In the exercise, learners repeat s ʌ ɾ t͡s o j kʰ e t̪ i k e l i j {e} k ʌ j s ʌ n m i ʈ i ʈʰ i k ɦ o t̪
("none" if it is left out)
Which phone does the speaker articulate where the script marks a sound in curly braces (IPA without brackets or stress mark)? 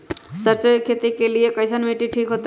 e